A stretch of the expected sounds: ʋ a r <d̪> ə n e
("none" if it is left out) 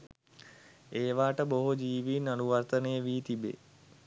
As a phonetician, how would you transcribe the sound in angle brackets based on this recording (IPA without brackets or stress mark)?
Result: t̪